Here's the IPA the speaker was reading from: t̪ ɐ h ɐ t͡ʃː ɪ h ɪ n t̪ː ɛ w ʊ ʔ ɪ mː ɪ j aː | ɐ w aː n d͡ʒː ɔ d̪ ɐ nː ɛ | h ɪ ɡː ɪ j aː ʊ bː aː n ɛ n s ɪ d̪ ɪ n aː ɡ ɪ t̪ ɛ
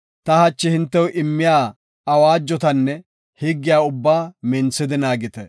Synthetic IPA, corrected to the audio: t̪ ɐ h ɐ t͡ʃː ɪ h ɪ n t̪ː ɛ w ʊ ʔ ɪ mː ɪ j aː | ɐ w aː d͡ʒː ɔ t̪ ɐ nː ɛ | h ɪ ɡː ɪ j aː ʊ bː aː m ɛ n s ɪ d̪ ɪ n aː ɡ ɪ t̪ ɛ